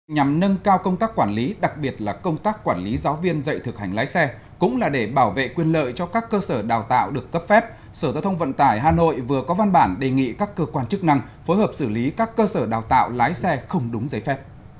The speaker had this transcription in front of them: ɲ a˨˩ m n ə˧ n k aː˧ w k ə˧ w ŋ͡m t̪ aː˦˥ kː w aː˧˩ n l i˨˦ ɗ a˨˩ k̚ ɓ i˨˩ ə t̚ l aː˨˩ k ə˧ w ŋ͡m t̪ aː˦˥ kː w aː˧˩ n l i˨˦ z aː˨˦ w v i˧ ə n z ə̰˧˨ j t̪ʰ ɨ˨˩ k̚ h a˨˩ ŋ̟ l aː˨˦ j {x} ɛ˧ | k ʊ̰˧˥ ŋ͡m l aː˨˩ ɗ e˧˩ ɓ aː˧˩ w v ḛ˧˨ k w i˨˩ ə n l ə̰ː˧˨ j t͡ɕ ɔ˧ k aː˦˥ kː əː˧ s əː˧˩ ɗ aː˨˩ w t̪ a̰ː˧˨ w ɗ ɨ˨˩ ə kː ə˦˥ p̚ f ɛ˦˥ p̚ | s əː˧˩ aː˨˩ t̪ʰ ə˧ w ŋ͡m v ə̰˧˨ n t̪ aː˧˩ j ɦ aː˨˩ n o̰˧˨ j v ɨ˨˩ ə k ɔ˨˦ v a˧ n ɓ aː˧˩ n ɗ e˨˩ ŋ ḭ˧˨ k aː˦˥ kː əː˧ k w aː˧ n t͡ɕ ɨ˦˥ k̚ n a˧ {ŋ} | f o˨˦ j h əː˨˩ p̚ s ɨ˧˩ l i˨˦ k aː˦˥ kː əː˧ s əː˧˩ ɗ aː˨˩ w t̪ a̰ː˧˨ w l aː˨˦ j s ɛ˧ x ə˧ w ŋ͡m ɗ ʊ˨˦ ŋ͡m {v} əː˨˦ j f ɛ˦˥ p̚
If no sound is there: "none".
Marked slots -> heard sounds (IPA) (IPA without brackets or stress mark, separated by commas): s, ŋ, z